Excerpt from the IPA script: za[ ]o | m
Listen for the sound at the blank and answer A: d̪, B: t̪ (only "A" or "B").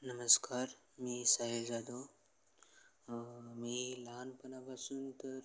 A